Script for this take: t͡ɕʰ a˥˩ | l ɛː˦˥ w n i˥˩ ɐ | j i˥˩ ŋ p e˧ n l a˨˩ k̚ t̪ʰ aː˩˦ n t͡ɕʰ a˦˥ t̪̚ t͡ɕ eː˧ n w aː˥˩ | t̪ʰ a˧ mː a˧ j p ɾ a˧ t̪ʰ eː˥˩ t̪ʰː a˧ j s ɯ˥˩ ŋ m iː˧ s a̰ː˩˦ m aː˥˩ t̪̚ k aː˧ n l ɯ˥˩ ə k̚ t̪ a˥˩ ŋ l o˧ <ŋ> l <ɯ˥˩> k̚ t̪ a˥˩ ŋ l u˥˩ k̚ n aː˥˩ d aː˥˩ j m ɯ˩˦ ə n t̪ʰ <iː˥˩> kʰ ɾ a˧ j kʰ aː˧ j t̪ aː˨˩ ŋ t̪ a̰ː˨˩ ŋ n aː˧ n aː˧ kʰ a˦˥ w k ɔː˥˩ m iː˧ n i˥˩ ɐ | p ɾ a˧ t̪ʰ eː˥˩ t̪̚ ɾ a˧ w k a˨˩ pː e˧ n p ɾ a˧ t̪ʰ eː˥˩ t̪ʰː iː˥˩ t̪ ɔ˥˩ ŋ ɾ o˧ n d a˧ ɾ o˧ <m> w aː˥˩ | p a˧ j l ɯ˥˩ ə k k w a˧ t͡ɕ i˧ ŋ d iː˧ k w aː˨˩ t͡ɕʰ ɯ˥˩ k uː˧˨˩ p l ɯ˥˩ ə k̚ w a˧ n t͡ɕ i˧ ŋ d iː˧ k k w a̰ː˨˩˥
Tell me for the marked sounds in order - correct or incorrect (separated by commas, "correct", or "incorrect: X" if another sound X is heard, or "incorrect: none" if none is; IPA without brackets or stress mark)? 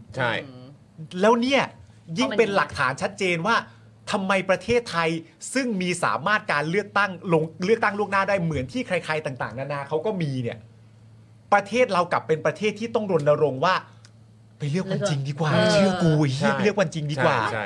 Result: correct, correct, correct, incorrect: ŋ